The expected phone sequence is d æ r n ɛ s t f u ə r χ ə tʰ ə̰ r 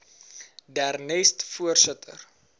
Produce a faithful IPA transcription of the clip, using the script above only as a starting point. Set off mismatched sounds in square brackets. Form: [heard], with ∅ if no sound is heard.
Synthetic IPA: d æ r n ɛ s t f u ə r [s] ə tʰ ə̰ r